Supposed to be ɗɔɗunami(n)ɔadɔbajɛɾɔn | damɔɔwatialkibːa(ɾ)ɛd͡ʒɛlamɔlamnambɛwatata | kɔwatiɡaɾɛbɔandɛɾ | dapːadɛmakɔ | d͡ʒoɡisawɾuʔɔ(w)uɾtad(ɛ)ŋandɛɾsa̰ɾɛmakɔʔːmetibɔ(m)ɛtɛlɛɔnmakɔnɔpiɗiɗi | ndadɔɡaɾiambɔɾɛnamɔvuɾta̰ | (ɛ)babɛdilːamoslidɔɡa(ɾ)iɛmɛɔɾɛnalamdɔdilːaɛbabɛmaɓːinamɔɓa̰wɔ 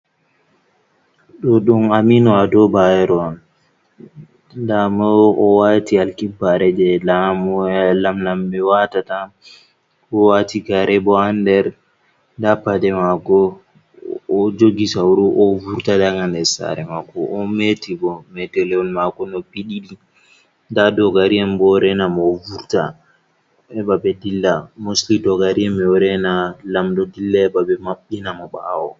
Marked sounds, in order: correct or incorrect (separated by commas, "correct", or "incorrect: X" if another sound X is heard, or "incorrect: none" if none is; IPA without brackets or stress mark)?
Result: correct, correct, incorrect: v, incorrect: a, correct, correct, correct